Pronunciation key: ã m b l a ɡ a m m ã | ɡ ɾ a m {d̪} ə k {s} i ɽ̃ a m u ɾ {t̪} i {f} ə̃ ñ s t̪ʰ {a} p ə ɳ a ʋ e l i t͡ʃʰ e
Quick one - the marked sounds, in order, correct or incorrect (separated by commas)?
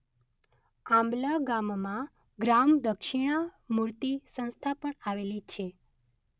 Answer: correct, incorrect, correct, incorrect, correct